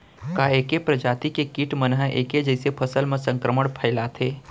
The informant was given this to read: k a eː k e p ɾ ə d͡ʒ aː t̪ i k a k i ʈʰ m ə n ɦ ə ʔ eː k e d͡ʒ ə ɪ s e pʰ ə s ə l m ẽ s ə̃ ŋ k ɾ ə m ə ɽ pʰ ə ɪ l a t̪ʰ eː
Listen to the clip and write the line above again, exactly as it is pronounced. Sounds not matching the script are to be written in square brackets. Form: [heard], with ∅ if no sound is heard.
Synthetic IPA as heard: k a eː k e p ɾ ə d͡ʒ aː t̪ i k [e] k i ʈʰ m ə n ɦ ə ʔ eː k e d͡ʒ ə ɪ s e pʰ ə s ə l m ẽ s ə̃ ŋ k ɾ ə m ə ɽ pʰ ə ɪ l a t̪ʰ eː

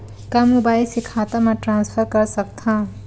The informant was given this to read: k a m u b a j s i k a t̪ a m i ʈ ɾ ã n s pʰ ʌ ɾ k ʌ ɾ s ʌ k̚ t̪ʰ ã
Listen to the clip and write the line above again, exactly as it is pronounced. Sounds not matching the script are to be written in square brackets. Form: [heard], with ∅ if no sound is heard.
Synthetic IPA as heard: k a m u b a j s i [kʰ] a t̪ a m [a] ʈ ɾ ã n s pʰ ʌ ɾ k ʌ ɾ s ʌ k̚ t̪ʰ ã

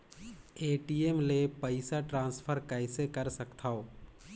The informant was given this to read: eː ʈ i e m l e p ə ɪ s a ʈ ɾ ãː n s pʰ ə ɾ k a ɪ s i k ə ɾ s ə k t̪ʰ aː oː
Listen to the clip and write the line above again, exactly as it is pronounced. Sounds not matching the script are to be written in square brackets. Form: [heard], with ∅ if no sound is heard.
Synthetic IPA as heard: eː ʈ i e m l e p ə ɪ s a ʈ ɾ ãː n s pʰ ə ɾ k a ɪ s [e] k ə ɾ s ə k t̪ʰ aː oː

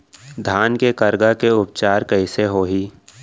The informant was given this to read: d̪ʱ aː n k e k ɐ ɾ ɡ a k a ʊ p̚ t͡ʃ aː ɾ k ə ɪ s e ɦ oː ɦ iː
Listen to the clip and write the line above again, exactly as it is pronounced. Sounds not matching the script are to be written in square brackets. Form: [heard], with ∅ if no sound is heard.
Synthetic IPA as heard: d̪ʱ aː n k e k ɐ ɾ ɡ a k [e] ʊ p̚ t͡ʃ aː ɾ k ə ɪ s e ɦ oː ɦ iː

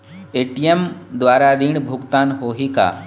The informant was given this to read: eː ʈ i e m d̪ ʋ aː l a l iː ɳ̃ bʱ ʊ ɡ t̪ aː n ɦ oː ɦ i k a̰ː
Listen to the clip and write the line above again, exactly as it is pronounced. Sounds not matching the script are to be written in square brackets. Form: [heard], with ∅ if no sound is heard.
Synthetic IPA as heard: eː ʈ i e m d̪ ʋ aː [ɾ] a [ɾ] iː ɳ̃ bʱ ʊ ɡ t̪ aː n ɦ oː ɦ i k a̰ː

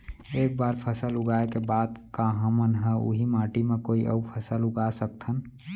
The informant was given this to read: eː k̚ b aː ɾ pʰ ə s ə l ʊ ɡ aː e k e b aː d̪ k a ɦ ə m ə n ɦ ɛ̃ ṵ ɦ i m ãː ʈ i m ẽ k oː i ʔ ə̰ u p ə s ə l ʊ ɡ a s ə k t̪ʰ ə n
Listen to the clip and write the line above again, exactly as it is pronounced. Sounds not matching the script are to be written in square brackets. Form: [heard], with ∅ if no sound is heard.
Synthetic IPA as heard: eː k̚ b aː ɾ pʰ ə s ə l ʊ ɡ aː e k e b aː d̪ k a ɦ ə m ə n ɦ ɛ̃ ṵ ɦ i m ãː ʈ i m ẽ k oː i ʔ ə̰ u [pʰ] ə s ə l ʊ ɡ a s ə k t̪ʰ ə n

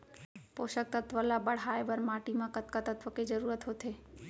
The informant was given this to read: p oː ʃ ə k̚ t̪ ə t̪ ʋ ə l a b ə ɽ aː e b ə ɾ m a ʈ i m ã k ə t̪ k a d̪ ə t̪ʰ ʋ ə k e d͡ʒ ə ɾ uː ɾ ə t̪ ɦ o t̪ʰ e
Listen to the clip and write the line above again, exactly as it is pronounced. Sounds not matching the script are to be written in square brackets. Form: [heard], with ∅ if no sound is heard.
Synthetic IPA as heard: p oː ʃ ə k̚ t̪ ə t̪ ʋ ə l a b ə ɽ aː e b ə ɾ m a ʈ i m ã k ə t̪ k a [t̪] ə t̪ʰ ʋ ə k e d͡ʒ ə ɾ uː ɾ ə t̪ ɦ o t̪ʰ e

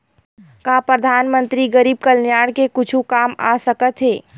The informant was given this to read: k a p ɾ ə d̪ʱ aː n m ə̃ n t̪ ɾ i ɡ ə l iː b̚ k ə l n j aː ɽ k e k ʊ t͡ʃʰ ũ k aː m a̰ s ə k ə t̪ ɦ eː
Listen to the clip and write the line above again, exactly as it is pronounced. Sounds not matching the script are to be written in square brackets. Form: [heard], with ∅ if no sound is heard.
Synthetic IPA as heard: k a p ɾ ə d̪ʱ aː n m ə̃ n t̪ ɾ i ɡ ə [ɾ] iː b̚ k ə l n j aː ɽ k e k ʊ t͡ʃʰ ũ k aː m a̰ s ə k ə t̪ ɦ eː

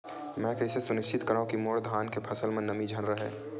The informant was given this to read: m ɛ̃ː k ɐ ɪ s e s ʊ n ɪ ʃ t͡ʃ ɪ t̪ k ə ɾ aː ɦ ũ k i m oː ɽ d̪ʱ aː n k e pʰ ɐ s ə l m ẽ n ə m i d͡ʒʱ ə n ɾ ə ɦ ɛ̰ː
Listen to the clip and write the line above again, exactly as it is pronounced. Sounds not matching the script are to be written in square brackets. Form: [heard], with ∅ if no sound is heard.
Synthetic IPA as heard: m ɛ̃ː k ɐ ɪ s e s ʊ n ɪ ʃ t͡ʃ ɪ t̪ k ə ɾ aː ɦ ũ k i m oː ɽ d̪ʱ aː n k e pʰ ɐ s ə l m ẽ n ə m i d͡ʒʱ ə n ɾ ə ɦ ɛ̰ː

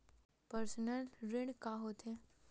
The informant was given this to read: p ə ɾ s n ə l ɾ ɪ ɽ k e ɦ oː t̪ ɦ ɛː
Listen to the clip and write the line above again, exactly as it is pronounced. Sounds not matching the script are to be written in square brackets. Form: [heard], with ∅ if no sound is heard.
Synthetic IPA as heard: p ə ɾ s n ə l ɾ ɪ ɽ k [a] ɦ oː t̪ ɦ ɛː

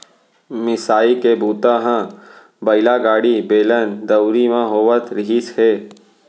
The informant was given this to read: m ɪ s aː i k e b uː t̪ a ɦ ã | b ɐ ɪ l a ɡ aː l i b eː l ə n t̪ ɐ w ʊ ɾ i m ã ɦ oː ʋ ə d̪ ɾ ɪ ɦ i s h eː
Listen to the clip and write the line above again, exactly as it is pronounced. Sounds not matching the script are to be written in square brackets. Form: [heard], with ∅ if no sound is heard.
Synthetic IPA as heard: m ɪ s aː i k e b uː t̪ a ɦ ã | b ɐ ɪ l a ɡ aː [ɽ] i b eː l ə n [d̪] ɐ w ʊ ɾ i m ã ɦ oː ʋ ə [t̪] ɾ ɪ ɦ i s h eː

